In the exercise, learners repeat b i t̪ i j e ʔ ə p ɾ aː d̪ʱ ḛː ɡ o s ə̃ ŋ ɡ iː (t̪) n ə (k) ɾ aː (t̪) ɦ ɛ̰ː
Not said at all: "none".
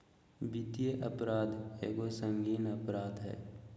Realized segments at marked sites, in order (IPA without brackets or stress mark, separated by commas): none, p, d̪